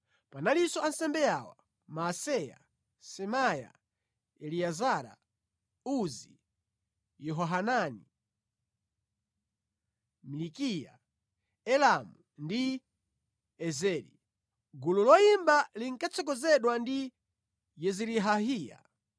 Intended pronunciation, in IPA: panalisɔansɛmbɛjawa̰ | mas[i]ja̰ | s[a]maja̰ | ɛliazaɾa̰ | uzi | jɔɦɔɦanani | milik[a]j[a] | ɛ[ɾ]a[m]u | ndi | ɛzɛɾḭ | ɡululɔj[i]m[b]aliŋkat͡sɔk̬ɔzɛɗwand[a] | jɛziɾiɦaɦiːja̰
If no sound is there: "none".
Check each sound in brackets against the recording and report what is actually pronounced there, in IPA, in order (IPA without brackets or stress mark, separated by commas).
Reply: ɛ, ɛ, i, a, l, m, i, b, i